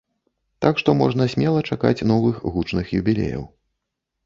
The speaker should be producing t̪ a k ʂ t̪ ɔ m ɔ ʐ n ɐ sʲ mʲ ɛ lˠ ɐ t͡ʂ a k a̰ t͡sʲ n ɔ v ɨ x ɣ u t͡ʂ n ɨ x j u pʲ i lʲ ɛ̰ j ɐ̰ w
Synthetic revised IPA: t̪ a k ʂ t̪ ɔ m ɔ ʐ n ɐ sʲ mʲ ɛ lˠ ɐ t͡ʂ a k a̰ t͡sʲ n ɔ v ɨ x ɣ u t͡ʂ n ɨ x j u bʲ i lʲ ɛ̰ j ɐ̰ w